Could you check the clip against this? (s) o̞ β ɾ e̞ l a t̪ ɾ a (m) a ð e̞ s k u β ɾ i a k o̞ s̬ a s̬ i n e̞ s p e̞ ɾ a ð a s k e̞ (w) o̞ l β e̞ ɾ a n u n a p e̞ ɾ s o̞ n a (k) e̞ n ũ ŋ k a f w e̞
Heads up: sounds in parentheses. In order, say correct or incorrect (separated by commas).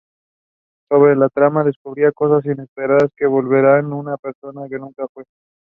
correct, correct, incorrect, correct